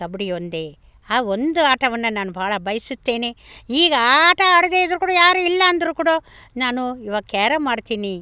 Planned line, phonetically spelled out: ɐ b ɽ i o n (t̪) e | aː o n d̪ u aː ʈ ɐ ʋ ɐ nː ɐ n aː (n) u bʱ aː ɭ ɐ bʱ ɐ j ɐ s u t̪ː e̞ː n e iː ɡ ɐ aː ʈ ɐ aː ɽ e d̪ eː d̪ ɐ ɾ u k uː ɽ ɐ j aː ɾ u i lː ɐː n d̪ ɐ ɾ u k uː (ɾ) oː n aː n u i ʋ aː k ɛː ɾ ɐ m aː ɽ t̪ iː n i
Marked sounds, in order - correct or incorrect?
incorrect, correct, incorrect

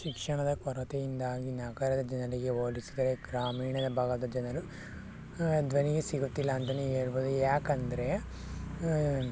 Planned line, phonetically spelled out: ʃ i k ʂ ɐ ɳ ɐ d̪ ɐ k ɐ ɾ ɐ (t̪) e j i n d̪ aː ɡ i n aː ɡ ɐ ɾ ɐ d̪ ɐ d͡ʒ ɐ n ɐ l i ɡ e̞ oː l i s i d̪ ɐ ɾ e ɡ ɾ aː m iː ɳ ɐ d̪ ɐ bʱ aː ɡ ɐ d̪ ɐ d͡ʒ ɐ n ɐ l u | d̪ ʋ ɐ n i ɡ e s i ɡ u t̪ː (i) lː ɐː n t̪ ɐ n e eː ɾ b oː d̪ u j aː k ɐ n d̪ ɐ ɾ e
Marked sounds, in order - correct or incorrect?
correct, correct

